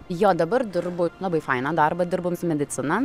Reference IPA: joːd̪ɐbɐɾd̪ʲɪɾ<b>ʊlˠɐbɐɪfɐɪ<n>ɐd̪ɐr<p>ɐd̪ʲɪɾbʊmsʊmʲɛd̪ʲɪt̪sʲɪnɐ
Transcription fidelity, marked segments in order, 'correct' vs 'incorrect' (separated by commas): correct, correct, incorrect